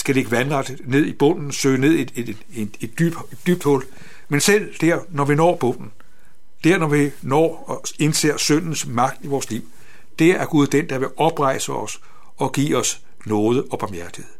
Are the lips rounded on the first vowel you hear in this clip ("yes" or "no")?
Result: no